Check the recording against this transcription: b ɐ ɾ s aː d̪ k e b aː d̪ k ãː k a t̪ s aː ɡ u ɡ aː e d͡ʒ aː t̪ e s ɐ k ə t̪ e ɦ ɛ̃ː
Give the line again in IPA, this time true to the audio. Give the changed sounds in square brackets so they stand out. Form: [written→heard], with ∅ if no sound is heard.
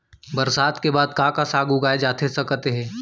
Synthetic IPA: b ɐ ɾ s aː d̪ k e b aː d̪ k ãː k a [t̪→∅] s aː ɡ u ɡ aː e d͡ʒ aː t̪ e s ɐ k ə t̪ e ɦ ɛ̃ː